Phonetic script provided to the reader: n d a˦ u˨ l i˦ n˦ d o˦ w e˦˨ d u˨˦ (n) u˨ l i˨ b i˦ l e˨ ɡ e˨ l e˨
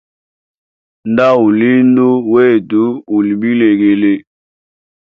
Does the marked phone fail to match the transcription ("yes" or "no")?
yes